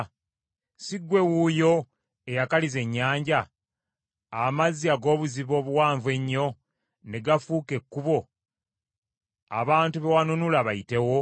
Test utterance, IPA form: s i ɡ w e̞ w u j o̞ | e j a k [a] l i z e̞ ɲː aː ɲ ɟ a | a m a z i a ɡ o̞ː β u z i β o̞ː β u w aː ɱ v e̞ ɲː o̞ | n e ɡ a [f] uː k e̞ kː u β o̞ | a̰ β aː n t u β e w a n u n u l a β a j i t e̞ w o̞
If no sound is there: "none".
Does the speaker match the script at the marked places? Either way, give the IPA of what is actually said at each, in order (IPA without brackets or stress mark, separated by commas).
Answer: a, f